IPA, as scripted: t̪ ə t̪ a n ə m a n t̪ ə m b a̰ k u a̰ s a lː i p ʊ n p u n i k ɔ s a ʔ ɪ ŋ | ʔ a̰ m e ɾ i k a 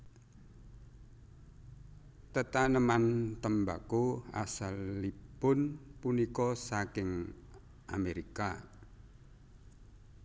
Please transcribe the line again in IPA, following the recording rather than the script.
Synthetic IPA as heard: t̪ ə t̪ a n ə m a n t̪ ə m b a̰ k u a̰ s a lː i p ʊ n p u n i k ɔ s a k ɪ ŋ | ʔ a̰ m e ɾ i k a